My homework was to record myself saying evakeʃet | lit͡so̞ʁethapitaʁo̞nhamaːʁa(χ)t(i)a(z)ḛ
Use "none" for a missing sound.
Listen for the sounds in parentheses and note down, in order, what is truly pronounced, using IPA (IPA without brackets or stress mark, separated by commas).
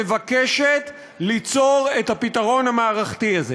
χ, i, z